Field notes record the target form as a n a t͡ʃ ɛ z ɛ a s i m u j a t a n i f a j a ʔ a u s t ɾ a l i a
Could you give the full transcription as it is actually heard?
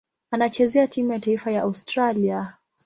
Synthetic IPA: a n a t͡ʃ ɛ z ɛ a t i m u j a t a i f a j a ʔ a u s t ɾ a l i a